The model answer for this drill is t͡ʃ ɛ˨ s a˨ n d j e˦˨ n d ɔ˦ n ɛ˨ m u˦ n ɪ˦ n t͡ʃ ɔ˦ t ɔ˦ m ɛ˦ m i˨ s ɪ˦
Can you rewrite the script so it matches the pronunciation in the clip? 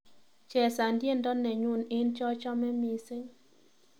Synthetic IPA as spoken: t͡ʃ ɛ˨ s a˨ n d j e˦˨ n d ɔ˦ n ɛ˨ ɲ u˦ n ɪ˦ n t͡ʃ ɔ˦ t͡ʃ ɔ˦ m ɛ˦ m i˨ s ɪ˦